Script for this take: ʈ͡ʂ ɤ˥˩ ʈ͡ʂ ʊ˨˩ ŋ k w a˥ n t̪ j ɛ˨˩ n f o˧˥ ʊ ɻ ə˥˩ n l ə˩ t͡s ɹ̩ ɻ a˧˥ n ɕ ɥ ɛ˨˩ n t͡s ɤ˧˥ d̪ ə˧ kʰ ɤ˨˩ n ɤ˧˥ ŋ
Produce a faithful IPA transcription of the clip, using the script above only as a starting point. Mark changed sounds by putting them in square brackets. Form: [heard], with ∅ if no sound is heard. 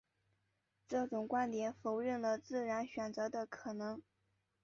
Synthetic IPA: ʈ͡ʂ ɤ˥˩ ʈ͡ʂ ʊ˨˩ ŋ k w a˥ n t̪ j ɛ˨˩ n f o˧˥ ʊ ɻ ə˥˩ n l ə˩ t͡s ɹ̩ ɻ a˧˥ n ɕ ɥ ɛ˨˩ n t͡s ɤ˧˥ d̪ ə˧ kʰ ɤ˨˩ n ɤ˧˥ ŋ